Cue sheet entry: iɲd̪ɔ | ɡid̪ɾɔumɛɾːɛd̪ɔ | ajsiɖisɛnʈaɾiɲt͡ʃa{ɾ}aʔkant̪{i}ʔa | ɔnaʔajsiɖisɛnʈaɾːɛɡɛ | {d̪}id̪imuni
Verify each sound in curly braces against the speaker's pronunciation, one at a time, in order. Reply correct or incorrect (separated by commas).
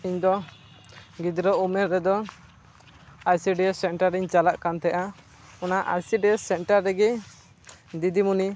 incorrect, incorrect, correct